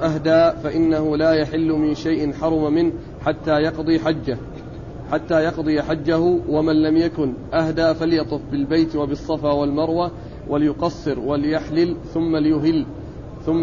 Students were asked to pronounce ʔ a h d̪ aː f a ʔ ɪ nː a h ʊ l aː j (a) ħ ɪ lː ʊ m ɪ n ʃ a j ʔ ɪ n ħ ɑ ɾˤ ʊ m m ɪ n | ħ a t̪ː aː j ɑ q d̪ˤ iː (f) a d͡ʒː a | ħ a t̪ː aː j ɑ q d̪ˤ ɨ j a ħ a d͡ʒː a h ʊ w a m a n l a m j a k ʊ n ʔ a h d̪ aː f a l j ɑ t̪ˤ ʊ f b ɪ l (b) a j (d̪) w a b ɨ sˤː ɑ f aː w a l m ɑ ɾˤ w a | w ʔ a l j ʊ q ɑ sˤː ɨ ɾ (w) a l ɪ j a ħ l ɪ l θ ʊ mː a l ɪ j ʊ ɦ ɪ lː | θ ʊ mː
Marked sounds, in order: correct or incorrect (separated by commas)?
correct, incorrect, correct, incorrect, correct